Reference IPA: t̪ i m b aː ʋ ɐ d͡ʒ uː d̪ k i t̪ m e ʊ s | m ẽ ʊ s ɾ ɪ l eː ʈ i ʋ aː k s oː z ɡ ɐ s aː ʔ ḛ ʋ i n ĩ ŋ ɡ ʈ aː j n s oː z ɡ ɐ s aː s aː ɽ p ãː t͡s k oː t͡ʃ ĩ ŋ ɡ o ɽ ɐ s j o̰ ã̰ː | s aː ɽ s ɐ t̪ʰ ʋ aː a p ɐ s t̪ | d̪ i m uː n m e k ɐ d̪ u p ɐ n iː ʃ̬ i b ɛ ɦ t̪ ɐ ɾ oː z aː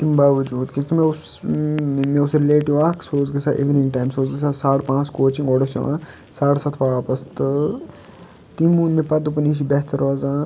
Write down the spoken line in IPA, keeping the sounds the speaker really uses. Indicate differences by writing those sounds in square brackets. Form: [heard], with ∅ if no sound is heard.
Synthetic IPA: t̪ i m b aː ʋ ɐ d͡ʒ uː d̪ k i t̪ m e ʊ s | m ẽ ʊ s ɾ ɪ l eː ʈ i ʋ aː k s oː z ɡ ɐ s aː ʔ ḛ ʋ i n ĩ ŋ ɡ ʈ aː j [m] s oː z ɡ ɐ s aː s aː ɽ p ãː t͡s k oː t͡ʃ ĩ ŋ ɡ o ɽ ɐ s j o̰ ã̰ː | s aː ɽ s ɐ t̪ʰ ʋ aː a p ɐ s t̪ | [t̪] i m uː n m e [p] ɐ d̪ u p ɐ n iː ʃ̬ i b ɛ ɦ t̪ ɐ ɾ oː z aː